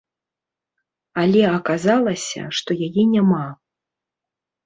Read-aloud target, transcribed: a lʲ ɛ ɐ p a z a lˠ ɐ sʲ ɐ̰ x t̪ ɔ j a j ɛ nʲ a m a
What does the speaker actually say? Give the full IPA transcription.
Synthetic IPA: a lʲ ɛ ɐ k a z a lˠ ɐ sʲ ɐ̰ ʂ t̪ ɔ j a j ɛ nʲ a m a